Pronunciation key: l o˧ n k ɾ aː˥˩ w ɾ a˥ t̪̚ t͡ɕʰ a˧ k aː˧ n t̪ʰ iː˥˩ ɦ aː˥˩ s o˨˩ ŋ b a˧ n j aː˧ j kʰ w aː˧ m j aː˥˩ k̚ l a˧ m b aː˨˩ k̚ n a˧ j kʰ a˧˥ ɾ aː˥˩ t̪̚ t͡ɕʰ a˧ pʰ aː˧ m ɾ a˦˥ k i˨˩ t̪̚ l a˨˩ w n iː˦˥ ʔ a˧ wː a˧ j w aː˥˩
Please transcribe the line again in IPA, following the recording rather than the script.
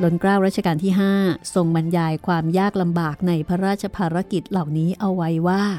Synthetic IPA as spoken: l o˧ n k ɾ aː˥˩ w ɾ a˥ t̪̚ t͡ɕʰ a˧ k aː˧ n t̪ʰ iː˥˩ ɦ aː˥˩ s o˨˩ ŋ b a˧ n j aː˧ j kʰ w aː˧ m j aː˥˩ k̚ l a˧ m b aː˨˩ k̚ n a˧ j pʰ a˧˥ ɾ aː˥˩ t̪̚ t͡ɕʰ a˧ pʰ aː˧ ɾ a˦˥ k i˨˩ t̪̚ l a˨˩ w n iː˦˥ ʔ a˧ wː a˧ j w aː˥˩